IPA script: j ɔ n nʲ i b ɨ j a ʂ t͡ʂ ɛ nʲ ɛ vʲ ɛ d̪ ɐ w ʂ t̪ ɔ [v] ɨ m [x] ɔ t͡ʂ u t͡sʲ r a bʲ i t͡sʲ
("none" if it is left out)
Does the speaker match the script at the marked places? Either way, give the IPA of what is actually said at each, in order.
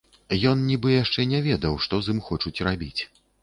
z, x

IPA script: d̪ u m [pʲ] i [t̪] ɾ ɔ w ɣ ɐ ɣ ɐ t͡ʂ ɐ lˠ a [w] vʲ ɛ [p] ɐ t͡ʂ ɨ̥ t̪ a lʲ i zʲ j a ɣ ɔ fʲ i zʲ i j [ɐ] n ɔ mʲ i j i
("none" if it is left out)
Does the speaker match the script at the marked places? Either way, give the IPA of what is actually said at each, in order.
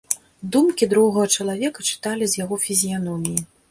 kʲ, d̪, none, k, a

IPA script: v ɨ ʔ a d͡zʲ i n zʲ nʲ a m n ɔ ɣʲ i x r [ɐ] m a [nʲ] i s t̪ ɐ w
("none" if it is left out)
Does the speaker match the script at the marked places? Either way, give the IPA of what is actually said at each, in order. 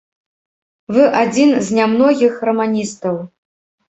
ɐ, nʲ

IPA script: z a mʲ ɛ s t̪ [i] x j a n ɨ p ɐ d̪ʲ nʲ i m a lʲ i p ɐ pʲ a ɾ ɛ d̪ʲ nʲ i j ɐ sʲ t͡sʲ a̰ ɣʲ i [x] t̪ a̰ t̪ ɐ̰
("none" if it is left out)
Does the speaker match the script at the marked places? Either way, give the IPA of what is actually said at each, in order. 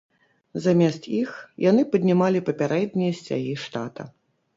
i, ʂ

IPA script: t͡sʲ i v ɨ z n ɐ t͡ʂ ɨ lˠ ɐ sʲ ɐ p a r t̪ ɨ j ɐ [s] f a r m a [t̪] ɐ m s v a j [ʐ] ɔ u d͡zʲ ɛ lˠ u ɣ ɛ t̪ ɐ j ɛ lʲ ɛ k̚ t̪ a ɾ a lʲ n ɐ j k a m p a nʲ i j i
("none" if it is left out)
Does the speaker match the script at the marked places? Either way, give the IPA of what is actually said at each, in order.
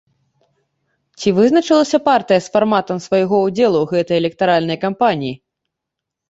s, t̪, ɣ

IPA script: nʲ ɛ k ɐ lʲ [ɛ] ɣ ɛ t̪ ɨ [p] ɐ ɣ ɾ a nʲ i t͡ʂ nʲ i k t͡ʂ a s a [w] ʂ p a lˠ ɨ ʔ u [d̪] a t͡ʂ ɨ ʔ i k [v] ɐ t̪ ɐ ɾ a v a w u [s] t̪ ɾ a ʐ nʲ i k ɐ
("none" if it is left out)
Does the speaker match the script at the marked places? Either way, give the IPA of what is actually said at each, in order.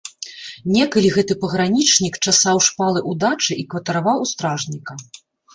i, p, w, d̪, v, s

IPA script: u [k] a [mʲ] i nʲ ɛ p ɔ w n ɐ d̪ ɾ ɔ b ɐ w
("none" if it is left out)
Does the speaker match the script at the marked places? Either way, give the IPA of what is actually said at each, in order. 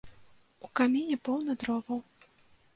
k, mʲ

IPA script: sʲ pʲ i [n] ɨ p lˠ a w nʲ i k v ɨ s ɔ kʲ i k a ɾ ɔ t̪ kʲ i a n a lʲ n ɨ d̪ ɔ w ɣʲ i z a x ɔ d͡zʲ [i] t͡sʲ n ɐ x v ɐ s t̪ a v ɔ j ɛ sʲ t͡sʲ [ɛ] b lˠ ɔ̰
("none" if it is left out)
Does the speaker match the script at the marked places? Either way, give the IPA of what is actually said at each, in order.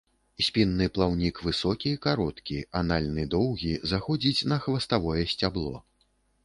nː, i, a

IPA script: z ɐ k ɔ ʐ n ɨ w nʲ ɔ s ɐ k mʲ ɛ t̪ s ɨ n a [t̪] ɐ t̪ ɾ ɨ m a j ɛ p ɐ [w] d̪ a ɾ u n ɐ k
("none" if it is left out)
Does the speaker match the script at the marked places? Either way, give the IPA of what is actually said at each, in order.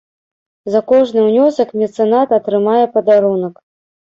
t̪, none

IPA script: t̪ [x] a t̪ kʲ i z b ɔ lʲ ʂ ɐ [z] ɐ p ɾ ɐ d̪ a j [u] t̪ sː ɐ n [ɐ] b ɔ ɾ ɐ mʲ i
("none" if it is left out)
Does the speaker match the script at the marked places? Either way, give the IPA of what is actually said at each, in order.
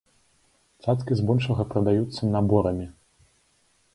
s, ɣ, u, a

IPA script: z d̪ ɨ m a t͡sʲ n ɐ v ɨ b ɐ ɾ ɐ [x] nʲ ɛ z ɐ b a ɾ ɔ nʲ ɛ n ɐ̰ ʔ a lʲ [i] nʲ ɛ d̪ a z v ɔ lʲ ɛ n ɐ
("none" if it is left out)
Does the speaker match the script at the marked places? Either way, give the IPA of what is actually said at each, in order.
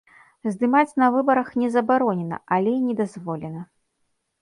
x, ɛ

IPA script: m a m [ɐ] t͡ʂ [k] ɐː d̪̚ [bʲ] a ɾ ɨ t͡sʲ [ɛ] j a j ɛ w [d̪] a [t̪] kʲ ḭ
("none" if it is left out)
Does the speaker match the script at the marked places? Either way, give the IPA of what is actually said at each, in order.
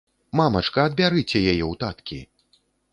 ɐ, k, bʲ, ɛ, t̪, t̪

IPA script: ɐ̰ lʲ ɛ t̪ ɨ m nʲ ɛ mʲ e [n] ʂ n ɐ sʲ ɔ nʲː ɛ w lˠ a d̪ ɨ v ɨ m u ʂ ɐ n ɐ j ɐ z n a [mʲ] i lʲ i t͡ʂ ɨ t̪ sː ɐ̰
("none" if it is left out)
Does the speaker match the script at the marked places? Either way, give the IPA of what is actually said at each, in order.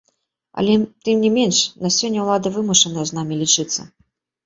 n, mʲ

